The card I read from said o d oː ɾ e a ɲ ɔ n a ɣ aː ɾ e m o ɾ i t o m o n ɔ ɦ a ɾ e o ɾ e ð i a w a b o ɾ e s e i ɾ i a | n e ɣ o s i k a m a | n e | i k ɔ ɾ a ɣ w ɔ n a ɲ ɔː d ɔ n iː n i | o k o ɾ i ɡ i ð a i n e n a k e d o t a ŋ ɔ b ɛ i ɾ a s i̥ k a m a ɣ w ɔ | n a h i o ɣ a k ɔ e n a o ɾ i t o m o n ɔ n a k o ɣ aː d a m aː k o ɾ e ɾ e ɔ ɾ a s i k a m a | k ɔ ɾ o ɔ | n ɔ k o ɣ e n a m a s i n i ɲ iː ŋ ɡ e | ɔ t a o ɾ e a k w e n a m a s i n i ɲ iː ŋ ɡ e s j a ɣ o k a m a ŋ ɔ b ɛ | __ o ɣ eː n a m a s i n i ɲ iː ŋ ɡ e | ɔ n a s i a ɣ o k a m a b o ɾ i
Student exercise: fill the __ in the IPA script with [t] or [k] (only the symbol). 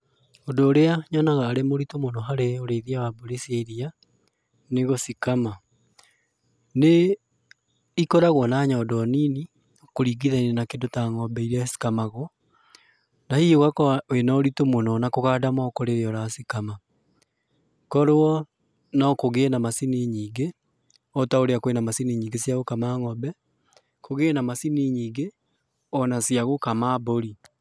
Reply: k